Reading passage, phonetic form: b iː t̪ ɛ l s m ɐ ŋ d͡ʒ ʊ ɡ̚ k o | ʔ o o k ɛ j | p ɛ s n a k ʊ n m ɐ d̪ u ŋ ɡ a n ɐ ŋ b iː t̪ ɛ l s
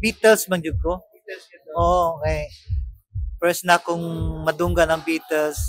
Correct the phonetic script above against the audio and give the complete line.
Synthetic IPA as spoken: b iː t̪ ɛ l s m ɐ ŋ d͡ʒ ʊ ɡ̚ k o | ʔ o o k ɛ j | p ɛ s n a k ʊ ŋ m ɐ d̪ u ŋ ɡ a n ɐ ŋ b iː t̪ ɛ l s